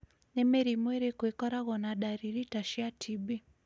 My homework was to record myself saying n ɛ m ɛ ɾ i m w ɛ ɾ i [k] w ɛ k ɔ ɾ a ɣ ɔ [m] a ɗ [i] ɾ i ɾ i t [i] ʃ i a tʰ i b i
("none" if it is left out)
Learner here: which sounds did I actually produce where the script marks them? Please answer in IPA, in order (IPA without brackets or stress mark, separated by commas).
k, n, a, a